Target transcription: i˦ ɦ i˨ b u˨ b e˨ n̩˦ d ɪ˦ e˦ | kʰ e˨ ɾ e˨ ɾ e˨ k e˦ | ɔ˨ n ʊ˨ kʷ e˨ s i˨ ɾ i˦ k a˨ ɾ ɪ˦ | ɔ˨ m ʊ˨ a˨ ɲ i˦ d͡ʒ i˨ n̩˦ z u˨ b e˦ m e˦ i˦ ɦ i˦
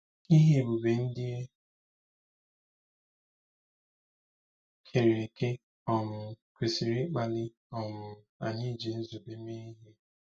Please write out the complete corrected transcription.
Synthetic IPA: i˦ ɦ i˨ b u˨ b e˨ n̩˦ d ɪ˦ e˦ | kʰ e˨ ɾ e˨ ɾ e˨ k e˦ | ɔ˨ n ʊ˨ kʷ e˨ s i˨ ɾ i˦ k͡p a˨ l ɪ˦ | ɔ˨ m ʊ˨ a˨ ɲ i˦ d͡ʒ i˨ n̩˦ z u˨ b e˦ m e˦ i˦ ɦ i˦

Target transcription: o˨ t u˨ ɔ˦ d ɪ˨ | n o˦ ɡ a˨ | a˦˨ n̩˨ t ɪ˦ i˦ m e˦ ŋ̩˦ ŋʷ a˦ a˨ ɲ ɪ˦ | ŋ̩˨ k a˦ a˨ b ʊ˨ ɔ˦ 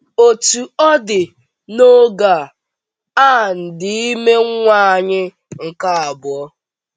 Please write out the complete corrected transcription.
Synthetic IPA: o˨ t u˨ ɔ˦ d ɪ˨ | n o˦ ɡ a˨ | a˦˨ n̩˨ d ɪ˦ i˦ m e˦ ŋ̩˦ ŋʷ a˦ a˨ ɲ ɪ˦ | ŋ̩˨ k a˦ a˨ b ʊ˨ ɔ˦

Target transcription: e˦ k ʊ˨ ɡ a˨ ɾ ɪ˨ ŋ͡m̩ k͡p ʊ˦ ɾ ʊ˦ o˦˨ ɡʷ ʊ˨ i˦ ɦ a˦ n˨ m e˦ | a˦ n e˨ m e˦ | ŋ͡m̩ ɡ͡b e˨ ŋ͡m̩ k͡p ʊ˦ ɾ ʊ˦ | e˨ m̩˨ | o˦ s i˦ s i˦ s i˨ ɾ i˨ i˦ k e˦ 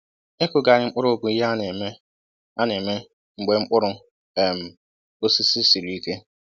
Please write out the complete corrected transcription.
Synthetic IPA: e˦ k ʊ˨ ɡ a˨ ɾ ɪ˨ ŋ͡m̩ k͡p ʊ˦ ɾ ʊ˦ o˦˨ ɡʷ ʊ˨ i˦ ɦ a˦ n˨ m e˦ | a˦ n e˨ m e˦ | ŋ͡m̩ ɡ͡b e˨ ŋ͡m̩ k͡p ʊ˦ ɾ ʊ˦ | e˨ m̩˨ | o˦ s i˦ s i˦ s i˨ ɾ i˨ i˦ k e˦

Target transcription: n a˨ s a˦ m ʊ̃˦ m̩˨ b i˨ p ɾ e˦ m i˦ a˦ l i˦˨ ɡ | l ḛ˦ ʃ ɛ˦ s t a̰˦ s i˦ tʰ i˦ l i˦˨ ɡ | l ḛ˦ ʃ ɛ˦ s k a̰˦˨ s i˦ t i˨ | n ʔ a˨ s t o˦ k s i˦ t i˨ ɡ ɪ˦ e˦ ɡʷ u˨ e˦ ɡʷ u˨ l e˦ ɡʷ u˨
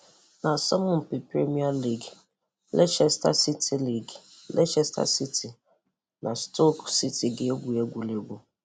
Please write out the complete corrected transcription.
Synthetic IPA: n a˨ s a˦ m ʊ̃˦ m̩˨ p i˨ p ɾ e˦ m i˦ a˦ l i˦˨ ɡ | l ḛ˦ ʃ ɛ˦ s t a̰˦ s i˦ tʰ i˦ l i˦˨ ɡ | l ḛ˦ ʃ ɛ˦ s t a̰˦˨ s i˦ t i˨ | n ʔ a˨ s t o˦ k s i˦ t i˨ ɡ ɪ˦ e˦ ɡʷ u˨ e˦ ɡʷ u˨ l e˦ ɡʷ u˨

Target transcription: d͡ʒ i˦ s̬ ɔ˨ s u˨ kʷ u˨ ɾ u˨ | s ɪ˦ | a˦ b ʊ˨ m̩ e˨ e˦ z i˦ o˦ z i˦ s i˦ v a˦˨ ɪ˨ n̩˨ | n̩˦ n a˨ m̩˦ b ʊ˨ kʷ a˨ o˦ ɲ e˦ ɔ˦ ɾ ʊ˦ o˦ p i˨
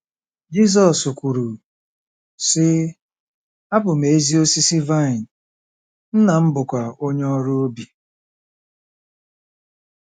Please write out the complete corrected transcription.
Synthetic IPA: d͡ʒ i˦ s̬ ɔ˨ s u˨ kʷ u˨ ɾ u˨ | s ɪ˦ | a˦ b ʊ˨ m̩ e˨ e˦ z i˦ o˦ s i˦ s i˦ v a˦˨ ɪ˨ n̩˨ | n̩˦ n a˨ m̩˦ b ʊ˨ kʷ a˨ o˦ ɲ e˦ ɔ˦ ɾ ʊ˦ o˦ b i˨

